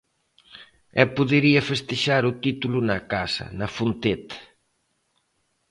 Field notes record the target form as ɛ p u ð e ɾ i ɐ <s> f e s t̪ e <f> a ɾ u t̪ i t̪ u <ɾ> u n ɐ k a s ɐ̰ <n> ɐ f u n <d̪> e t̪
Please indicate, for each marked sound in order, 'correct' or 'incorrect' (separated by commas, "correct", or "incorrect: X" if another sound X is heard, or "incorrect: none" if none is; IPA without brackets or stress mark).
incorrect: none, incorrect: ʃ, incorrect: l, correct, incorrect: t̪